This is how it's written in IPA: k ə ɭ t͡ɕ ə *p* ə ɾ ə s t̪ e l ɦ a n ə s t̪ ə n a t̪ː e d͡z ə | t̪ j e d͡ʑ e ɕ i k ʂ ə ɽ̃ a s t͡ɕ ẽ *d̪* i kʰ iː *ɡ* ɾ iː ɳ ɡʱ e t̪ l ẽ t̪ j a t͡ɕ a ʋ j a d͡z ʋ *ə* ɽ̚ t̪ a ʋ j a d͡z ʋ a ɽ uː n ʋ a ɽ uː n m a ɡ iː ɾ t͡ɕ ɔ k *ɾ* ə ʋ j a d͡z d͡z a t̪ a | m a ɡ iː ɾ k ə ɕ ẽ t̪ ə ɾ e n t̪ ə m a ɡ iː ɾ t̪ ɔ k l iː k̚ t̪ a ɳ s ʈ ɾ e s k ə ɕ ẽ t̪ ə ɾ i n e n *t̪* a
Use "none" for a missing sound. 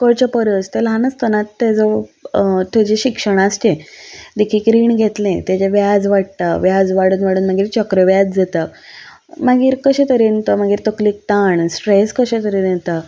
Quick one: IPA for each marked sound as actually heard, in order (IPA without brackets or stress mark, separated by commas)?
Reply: p, d̪, k, a, ɾ, t̪